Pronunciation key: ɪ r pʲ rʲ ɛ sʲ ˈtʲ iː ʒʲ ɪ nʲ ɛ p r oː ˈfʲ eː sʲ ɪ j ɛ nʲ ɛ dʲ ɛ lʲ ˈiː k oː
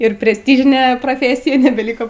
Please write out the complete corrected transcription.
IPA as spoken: ɪ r pʲ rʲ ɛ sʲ ˈtʲ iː ʒʲ ɪ nʲ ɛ p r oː ˈfʲ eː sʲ ɪ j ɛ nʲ ɛ bʲ ɛ lʲ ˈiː k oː